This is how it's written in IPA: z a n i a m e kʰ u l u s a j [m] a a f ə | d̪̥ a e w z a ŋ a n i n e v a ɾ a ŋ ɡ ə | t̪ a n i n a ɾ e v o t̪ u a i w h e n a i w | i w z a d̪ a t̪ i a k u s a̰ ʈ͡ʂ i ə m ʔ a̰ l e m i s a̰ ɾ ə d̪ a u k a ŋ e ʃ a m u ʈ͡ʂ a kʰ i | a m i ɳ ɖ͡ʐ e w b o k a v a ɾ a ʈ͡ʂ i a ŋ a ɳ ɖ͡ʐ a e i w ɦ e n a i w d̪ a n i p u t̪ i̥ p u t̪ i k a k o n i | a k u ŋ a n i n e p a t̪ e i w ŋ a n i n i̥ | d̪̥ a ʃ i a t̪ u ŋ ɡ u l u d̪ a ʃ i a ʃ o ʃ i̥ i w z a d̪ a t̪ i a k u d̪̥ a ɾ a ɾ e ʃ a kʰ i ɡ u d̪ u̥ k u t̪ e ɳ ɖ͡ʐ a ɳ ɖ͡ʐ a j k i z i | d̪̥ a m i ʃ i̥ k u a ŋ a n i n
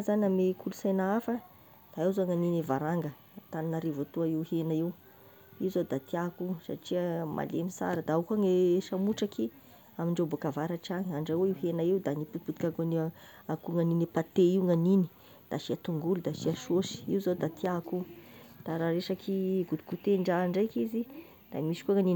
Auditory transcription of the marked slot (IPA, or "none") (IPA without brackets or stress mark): n